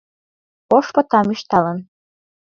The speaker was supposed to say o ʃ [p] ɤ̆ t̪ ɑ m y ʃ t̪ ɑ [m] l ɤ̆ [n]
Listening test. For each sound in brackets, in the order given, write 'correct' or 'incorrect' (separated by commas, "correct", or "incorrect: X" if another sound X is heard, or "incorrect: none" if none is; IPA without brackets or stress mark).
correct, incorrect: none, correct